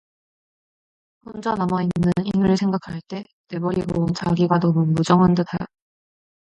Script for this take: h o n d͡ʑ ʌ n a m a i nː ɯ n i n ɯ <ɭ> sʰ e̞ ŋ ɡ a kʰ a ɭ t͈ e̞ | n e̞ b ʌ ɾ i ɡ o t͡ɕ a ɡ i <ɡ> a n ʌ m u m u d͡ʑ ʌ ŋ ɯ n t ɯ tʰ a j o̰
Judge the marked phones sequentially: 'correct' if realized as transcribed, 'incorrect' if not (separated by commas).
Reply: correct, correct